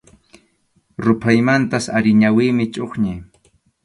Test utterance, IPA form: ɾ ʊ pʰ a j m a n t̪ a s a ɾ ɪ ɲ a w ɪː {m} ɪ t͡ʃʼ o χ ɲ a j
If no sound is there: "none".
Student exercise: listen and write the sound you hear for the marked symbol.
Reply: m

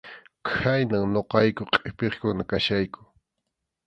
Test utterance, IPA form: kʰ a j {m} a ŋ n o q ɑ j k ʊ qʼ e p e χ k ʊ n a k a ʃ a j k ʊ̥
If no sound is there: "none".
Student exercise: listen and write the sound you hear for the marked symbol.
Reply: n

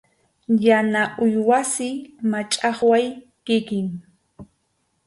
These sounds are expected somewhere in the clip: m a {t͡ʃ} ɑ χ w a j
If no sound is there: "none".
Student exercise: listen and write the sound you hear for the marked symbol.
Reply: t͡ʃʼ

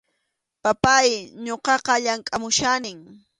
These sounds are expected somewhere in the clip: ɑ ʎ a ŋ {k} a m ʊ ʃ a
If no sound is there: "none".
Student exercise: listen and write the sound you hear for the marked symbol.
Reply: kʼ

